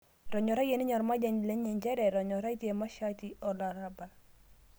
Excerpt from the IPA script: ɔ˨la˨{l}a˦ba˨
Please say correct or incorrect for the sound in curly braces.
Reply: incorrect